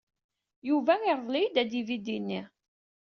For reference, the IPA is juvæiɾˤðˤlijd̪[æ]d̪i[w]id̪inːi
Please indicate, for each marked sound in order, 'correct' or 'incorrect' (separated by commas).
correct, incorrect